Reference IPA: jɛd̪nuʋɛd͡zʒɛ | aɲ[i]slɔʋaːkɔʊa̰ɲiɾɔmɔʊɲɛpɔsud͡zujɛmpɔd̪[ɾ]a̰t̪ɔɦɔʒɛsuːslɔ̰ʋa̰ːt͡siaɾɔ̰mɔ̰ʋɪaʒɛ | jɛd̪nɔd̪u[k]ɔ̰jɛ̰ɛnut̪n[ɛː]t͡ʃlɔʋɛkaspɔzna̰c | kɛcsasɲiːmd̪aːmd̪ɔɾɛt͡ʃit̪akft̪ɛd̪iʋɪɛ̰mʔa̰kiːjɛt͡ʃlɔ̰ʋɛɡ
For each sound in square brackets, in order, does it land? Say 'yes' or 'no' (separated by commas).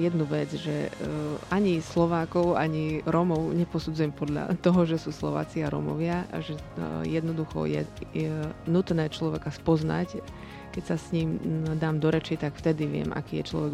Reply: yes, no, no, yes